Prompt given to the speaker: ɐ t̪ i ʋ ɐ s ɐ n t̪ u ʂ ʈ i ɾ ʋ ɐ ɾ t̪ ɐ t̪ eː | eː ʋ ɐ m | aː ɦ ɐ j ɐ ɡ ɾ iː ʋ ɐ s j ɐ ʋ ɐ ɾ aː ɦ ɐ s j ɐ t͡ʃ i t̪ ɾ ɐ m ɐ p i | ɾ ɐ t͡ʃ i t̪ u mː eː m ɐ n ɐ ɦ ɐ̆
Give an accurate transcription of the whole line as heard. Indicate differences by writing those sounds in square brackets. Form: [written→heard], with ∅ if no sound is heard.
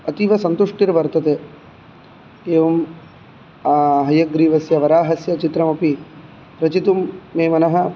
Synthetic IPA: ɐ t̪ i ʋ ɐ s ɐ n t̪ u ʂ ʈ i ɾ ʋ ɐ ɾ t̪ ɐ t̪ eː | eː ʋ ɐ m | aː ɦ ɐ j ɐ ɡ ɾ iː ʋ ɐ s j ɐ ʋ ɐ ɾ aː ɦ ɐ s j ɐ t͡ʃ i t̪ ɾ ɐ m ɐ p i | ɾ ɐ t͡ʃ i t̪ u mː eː m ɐ n ɐ ɦ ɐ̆